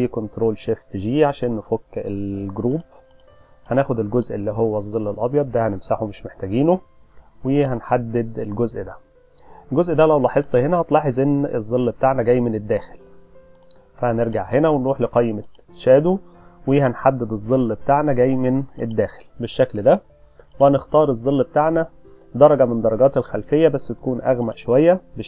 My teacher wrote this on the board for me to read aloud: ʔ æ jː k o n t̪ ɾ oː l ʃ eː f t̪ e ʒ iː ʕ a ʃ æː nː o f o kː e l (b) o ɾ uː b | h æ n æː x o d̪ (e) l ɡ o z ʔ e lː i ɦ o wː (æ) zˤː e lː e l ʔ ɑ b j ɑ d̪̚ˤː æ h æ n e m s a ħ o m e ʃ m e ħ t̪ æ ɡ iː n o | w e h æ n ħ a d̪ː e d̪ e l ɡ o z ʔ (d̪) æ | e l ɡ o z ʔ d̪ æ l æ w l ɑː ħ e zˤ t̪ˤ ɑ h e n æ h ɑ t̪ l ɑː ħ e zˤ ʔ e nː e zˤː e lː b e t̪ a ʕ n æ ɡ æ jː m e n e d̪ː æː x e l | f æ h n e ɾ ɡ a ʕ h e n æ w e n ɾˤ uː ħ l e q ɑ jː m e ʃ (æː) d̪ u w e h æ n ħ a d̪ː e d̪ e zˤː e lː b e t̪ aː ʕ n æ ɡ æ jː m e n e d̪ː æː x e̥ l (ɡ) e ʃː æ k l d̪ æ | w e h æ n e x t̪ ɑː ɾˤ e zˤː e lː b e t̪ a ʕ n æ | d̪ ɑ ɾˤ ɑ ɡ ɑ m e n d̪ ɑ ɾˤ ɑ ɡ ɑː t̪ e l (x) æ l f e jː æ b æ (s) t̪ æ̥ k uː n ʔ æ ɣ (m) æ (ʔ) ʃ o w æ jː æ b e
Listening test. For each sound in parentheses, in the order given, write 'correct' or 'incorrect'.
incorrect: ɡ, correct, correct, correct, correct, incorrect: b, correct, incorrect: sː, correct, correct

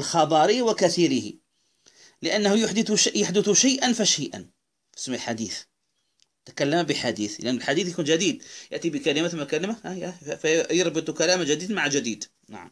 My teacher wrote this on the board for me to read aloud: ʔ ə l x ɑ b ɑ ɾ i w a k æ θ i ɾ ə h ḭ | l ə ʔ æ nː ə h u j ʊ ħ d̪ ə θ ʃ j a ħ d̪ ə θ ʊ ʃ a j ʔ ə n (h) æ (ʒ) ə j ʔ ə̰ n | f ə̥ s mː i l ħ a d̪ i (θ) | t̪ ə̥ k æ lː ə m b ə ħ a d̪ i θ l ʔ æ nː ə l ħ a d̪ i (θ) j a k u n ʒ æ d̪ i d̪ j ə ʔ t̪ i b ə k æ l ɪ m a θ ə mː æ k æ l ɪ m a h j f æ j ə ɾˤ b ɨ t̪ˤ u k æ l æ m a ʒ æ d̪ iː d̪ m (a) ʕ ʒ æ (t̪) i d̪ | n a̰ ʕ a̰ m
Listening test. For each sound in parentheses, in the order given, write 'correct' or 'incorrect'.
incorrect: f, incorrect: ʃ, correct, correct, correct, incorrect: d̪

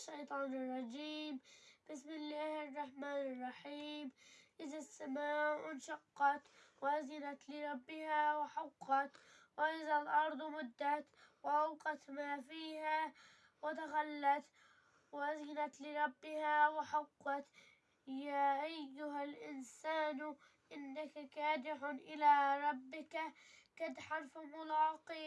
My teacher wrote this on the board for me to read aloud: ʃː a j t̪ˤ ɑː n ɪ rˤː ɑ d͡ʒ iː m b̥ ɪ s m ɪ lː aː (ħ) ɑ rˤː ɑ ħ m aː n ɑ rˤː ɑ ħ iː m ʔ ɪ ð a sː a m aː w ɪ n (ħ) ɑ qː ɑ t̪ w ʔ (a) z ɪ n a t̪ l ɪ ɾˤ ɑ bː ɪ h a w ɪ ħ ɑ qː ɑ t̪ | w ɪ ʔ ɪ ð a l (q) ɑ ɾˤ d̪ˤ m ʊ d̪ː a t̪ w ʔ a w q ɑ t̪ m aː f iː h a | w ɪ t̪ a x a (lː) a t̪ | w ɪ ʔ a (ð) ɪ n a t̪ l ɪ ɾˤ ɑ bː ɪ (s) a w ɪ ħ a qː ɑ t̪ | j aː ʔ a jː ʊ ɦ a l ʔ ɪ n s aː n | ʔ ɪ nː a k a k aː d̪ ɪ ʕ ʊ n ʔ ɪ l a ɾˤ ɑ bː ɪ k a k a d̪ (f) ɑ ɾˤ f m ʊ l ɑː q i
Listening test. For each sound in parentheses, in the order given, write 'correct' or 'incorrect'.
incorrect: h, incorrect: ʃ, correct, incorrect: ʔ, correct, incorrect: z, incorrect: h, incorrect: ħ

